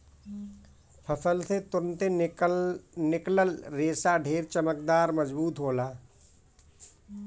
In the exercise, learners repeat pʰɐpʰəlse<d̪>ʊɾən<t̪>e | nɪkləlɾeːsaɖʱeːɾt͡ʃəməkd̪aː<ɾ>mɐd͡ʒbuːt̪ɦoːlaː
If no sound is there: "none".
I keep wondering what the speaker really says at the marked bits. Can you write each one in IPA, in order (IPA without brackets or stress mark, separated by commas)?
t̪, t̪, ɾ